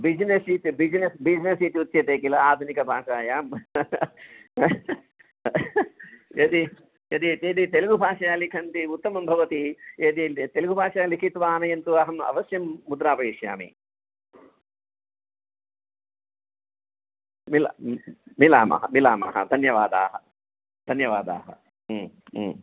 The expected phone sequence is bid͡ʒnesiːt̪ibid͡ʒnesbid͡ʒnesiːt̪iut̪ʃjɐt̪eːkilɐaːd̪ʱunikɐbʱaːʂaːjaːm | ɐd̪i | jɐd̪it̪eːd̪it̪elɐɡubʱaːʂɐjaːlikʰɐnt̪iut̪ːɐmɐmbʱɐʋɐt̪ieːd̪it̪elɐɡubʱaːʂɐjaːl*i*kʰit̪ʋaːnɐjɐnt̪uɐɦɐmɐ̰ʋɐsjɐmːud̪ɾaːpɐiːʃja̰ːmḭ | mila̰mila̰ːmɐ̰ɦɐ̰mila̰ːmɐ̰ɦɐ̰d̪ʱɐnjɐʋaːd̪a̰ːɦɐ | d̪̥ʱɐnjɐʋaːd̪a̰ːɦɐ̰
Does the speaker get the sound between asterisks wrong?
no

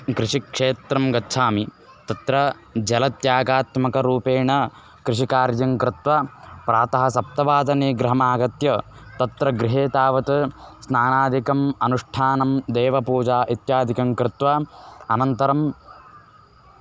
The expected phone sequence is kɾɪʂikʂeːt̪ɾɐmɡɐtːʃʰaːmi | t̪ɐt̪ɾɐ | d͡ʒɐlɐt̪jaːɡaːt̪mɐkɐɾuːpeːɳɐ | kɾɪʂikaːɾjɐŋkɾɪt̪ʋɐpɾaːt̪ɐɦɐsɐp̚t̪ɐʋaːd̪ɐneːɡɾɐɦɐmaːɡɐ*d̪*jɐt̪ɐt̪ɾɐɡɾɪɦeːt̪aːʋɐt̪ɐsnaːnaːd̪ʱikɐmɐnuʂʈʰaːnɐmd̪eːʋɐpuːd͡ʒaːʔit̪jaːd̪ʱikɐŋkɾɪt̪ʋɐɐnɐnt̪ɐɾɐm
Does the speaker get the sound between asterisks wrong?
yes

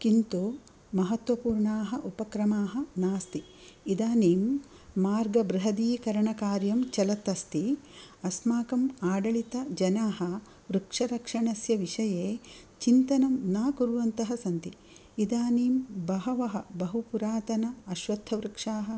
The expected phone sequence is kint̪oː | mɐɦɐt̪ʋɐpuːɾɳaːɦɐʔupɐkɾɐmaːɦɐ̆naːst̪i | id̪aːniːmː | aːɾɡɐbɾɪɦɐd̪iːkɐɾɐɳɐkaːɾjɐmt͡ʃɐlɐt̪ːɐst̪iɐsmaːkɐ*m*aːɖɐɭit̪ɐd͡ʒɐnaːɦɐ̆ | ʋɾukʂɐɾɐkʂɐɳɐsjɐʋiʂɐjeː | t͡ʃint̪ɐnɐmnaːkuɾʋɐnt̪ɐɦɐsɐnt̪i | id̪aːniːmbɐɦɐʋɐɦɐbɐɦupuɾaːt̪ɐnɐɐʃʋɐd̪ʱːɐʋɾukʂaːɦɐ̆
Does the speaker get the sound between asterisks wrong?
no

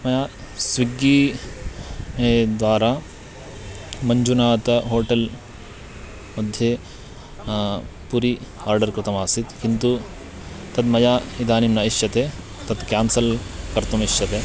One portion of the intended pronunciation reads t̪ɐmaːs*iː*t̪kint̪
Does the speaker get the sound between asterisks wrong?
yes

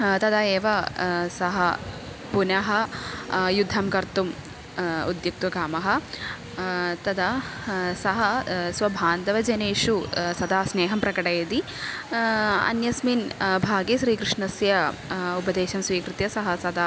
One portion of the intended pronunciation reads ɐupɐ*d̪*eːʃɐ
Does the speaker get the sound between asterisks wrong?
no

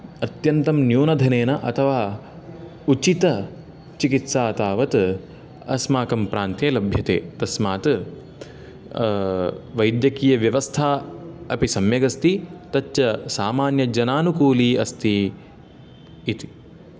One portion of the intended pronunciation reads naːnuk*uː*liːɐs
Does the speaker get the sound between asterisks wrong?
no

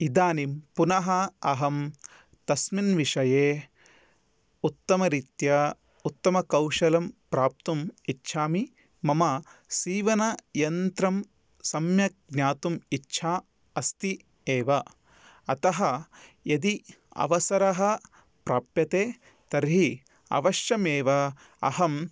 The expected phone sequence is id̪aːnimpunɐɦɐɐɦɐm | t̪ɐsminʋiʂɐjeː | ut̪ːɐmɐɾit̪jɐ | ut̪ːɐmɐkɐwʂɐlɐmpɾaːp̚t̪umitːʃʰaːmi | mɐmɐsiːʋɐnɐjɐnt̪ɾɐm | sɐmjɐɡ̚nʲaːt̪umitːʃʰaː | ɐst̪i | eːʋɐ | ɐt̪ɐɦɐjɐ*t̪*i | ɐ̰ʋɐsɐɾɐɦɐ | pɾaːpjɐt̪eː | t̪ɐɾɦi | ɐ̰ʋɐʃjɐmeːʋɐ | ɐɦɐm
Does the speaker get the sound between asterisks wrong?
yes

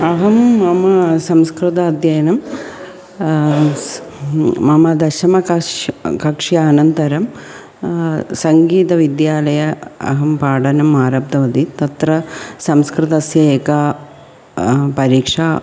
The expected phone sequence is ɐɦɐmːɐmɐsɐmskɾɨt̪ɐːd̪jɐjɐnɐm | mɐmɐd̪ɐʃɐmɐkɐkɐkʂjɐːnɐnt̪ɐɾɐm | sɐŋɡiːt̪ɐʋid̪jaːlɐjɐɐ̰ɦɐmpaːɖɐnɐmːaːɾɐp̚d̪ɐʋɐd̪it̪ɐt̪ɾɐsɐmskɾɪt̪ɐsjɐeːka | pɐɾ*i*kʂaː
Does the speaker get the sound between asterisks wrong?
yes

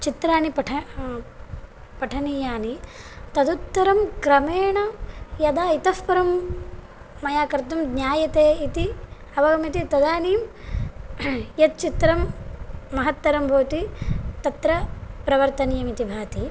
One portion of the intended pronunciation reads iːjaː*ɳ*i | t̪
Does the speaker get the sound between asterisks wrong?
yes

